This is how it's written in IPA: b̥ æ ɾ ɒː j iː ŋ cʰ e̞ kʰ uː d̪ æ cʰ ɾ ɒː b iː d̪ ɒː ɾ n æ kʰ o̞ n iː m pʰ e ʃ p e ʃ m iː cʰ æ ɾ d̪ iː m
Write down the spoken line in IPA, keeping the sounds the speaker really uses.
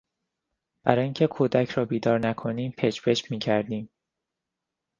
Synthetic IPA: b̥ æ ɾ ɒː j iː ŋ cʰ e̞ kʰ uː d̪ æ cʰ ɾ ɒː b iː d̪ ɒː ɾ n æ kʰ o̞ n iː m pʰ e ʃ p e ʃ m iː cʰ æ ɾ d̪ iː m